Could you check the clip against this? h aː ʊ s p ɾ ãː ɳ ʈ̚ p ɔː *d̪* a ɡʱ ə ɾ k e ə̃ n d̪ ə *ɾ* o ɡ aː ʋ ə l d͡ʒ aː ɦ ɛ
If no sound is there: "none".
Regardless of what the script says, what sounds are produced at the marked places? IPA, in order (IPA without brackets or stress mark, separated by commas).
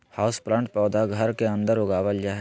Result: d̪, ɾ